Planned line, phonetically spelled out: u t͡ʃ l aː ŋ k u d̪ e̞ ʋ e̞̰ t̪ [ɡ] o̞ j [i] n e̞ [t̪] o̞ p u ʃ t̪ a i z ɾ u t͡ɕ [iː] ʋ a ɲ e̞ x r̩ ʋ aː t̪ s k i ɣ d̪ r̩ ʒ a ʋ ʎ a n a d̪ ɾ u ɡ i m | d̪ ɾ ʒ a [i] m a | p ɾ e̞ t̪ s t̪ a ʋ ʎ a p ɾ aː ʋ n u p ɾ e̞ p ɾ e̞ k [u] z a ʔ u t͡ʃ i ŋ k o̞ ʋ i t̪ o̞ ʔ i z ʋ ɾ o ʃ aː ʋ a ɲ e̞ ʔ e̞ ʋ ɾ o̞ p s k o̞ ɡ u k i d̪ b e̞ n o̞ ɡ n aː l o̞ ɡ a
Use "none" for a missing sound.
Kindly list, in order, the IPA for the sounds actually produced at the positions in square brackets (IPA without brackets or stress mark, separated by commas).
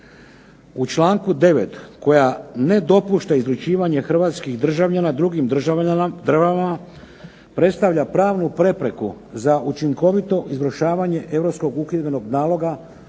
k, a, d̪, iː, a, u